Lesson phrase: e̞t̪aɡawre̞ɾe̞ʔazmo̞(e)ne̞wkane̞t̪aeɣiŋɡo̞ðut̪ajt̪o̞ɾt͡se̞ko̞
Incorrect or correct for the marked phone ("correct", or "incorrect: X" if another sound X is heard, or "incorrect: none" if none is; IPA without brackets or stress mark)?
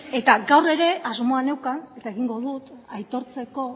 incorrect: a